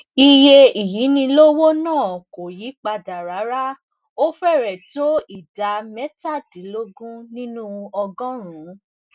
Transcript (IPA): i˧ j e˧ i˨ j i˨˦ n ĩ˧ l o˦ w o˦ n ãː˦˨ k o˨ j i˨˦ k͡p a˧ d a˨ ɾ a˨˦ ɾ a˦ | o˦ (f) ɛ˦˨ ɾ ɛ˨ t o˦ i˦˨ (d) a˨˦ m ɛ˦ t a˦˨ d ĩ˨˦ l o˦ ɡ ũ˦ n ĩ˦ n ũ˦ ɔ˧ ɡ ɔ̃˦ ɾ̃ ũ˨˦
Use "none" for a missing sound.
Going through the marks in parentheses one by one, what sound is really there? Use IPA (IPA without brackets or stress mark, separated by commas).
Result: f, d